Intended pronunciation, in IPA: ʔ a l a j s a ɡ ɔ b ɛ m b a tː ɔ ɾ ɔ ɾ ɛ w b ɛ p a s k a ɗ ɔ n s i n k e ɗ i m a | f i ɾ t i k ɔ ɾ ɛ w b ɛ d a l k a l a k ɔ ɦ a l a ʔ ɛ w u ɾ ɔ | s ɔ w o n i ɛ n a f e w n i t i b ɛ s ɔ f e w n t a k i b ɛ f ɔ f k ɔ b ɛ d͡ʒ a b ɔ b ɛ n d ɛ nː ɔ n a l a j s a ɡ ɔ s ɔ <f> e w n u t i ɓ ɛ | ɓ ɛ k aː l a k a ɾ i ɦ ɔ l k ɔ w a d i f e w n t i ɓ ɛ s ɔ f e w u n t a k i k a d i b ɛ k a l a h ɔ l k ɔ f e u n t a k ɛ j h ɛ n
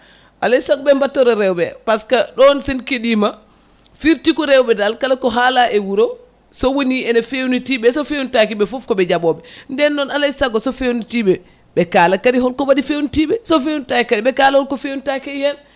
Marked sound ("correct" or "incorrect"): correct